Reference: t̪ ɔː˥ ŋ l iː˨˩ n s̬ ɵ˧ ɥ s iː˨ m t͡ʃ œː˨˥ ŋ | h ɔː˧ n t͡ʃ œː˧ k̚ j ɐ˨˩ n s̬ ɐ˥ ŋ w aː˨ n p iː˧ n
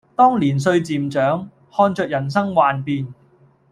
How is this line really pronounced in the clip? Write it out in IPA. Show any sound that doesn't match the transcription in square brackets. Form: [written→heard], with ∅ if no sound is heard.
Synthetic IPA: t̪ ɔː˥ ŋ l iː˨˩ n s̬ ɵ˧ ɥ [s→t͡s] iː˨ m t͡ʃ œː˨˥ ŋ | h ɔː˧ n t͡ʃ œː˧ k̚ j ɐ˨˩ n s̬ ɐ˥ ŋ w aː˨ n p iː˧ n